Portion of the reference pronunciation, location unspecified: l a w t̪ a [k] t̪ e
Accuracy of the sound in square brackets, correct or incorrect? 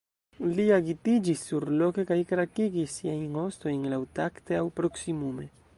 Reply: correct